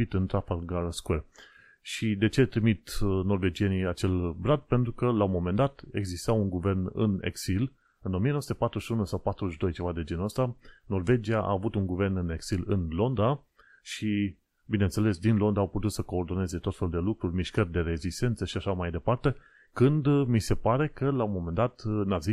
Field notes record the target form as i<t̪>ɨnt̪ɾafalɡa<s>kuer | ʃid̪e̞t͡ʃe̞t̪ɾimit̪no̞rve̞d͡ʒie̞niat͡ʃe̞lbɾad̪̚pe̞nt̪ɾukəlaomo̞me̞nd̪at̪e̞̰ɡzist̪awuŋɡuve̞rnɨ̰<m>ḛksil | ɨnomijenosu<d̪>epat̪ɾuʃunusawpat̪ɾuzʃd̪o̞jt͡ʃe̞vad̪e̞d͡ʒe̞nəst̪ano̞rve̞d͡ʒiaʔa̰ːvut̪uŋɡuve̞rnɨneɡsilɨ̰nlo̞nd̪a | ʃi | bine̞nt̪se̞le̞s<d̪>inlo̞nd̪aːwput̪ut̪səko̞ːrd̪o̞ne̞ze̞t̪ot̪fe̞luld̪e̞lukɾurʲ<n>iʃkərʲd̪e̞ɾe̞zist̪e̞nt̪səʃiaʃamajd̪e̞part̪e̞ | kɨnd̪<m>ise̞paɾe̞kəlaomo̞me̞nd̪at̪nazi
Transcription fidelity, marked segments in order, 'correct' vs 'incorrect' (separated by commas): correct, correct, incorrect, incorrect, correct, incorrect, correct